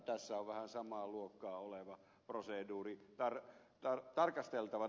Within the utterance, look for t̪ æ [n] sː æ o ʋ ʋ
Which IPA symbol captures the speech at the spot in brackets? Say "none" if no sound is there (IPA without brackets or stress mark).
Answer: none